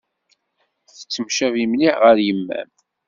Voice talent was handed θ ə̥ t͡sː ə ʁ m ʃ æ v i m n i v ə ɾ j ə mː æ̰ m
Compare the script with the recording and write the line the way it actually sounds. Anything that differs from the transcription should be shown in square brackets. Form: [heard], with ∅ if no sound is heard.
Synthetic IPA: θ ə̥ t͡sː ə [∅] m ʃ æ v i m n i [ʁ] ə ɾ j ə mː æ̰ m